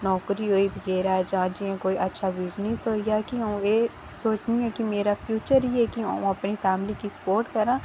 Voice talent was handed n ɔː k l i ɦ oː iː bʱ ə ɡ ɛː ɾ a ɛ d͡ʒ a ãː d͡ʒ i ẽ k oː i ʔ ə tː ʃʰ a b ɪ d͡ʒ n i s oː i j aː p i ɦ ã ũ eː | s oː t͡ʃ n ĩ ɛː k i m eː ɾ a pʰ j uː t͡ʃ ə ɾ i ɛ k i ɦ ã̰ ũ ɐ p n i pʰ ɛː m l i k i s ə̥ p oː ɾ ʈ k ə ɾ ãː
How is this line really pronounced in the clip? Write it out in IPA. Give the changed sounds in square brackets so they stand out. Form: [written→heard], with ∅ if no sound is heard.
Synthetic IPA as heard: n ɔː k [l→ɾ] i ɦ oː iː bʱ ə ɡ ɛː ɾ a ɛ d͡ʒ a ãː d͡ʒ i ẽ k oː i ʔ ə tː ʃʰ a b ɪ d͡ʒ n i s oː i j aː [p→k] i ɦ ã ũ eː | s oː t͡ʃ n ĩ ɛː k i m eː ɾ a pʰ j uː t͡ʃ ə ɾ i ɛ k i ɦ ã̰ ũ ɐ p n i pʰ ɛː m l i k i s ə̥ p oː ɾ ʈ k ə ɾ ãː